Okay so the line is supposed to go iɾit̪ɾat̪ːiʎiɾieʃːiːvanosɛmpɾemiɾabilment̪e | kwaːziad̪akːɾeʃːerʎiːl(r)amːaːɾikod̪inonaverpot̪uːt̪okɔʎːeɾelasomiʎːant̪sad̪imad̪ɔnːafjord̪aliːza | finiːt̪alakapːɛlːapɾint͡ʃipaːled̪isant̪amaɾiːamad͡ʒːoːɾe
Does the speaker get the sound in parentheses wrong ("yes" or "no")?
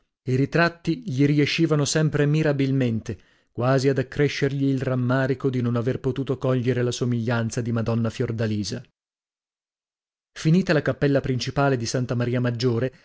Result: no